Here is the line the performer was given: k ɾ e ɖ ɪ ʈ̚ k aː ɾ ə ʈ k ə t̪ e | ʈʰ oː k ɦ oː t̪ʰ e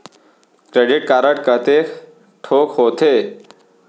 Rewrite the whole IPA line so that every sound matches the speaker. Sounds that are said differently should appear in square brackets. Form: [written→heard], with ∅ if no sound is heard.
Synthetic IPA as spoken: k ɾ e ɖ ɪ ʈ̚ k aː ɾ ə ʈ k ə t̪ e | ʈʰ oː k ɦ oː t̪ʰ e